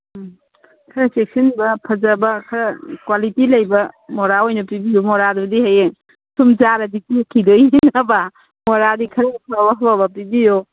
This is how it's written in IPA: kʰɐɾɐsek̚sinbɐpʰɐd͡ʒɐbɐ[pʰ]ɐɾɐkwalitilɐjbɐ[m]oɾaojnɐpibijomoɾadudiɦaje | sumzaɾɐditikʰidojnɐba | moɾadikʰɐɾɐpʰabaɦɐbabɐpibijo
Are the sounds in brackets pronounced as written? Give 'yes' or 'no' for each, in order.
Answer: no, yes

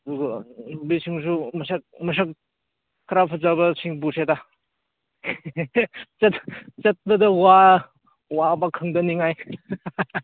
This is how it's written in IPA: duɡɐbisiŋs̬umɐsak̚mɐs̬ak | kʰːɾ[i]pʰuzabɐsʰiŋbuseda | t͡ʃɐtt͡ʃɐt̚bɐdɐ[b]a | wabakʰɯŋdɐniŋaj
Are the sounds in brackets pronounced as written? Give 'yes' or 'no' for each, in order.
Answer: no, no

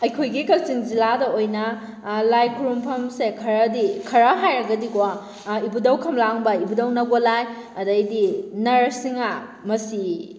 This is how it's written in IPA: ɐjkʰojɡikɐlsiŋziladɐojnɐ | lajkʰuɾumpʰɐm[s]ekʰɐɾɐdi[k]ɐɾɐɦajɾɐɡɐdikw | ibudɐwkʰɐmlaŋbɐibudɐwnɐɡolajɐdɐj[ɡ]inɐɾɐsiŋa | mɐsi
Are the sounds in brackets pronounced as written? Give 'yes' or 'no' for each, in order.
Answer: yes, no, no

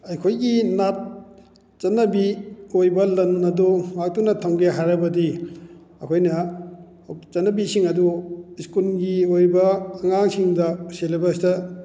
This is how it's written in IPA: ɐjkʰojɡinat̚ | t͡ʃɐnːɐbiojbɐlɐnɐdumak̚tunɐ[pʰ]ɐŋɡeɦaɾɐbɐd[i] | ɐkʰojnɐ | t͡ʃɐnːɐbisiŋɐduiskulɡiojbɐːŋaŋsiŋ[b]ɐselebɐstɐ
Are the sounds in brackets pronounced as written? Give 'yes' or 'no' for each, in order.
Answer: no, yes, no

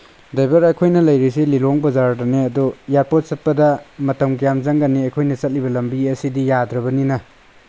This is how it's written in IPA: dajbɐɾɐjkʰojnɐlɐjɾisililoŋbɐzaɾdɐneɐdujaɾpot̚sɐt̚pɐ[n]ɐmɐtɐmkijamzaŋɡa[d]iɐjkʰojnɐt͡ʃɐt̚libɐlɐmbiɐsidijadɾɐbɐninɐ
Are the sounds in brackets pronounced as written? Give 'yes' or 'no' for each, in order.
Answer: no, no

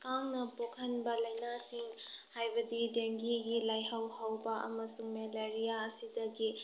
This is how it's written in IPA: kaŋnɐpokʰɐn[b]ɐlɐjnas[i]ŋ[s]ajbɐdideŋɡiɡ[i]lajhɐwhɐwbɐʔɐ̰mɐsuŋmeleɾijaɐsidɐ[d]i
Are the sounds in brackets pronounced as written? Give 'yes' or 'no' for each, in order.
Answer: yes, yes, no, yes, no

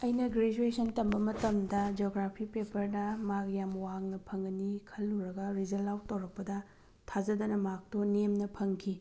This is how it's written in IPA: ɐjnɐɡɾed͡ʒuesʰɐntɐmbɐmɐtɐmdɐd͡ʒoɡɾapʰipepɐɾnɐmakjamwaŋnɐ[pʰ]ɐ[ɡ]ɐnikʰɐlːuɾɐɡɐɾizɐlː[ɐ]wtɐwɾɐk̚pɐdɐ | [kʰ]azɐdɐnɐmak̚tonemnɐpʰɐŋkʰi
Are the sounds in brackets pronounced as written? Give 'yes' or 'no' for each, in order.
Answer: yes, no, no, no

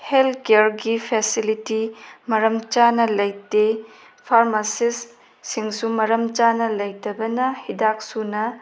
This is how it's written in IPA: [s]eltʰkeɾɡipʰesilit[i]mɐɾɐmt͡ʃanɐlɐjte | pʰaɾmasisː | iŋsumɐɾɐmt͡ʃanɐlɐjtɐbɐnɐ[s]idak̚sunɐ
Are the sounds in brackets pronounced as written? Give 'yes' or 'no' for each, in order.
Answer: no, yes, no

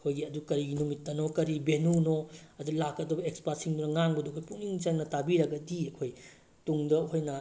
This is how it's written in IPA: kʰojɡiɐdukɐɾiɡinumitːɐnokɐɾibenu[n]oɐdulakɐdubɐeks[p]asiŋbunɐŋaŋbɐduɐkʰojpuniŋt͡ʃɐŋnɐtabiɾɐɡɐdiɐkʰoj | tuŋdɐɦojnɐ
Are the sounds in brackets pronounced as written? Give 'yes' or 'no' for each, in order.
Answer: yes, yes

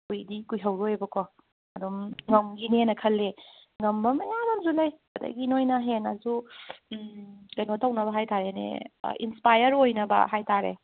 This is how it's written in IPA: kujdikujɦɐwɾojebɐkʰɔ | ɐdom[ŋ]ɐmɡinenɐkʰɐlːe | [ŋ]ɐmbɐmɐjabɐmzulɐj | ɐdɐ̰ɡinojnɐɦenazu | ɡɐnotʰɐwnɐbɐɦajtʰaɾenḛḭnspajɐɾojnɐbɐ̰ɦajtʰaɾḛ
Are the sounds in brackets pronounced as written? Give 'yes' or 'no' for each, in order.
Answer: yes, yes

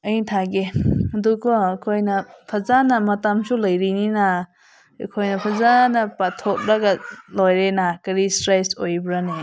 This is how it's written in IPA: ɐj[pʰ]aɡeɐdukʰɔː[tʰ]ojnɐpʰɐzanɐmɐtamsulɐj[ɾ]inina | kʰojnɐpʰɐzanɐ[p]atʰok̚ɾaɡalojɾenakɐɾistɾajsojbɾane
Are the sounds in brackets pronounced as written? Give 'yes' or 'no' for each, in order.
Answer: no, no, yes, yes

